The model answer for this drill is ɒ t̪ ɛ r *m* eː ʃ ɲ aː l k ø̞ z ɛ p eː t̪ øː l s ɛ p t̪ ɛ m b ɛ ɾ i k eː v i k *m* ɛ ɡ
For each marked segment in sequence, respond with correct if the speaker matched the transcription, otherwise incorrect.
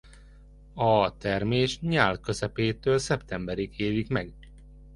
correct, correct

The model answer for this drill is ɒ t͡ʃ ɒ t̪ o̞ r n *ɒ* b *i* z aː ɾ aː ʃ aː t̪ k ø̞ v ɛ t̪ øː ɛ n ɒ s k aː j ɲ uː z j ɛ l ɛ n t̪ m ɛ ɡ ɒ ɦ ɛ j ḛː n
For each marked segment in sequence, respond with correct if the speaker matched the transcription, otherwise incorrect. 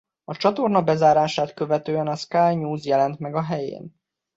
correct, incorrect

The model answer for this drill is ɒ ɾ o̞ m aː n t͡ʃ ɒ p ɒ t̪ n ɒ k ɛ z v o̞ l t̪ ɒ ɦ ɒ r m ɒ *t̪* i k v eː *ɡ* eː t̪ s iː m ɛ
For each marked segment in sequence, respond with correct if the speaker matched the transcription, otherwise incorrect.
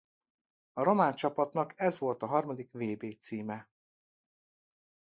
incorrect, incorrect

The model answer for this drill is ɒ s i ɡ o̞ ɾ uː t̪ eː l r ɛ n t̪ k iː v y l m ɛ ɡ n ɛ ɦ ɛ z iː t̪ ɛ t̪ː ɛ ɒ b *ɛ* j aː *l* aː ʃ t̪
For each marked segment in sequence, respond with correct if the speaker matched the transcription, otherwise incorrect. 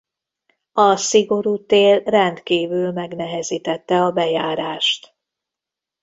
correct, incorrect

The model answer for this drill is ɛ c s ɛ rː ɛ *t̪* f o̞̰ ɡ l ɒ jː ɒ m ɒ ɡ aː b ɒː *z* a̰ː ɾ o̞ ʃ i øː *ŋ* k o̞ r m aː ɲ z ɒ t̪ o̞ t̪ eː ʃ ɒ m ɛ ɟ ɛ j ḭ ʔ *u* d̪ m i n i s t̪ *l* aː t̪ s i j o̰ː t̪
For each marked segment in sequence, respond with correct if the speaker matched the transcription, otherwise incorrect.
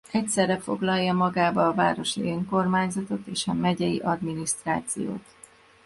incorrect, incorrect, correct, incorrect, incorrect

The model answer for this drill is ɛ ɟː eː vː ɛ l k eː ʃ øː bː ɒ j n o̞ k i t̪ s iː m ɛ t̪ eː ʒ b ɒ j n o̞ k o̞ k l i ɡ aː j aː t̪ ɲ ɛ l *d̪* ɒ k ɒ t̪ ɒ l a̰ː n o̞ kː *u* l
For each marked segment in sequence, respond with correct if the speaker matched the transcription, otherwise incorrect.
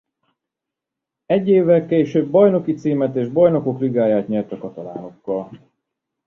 incorrect, incorrect

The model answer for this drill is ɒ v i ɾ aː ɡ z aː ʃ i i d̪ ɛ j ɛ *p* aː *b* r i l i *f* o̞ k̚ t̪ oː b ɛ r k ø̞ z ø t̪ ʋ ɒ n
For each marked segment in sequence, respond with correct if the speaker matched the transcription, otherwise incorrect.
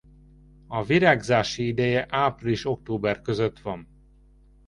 incorrect, incorrect, incorrect

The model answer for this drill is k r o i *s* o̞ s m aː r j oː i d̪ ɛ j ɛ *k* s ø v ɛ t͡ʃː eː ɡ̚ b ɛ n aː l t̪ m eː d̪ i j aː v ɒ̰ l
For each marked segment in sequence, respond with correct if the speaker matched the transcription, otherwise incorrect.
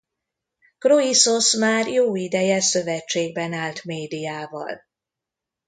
correct, incorrect

